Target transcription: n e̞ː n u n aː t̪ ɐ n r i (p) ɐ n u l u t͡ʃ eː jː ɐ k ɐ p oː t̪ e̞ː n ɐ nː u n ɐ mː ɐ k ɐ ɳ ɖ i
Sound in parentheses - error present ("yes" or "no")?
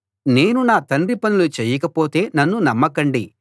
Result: no